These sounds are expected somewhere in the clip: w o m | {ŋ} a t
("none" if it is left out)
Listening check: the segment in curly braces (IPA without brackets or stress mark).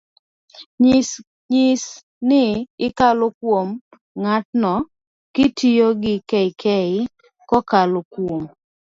ŋ